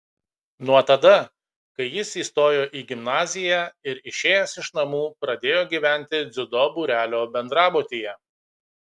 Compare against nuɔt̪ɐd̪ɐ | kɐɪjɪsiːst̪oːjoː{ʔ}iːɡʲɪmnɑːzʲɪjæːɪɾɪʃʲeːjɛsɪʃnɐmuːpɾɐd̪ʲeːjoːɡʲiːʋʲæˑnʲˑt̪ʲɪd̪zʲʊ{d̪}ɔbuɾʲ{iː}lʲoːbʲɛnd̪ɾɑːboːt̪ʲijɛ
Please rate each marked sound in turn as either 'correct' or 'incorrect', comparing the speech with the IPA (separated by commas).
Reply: correct, correct, incorrect